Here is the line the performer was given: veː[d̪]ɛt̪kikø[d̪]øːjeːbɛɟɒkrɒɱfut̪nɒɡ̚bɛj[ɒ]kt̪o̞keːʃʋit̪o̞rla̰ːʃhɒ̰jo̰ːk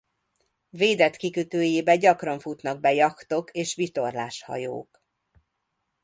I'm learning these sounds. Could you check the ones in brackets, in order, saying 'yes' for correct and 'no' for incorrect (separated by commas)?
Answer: yes, no, yes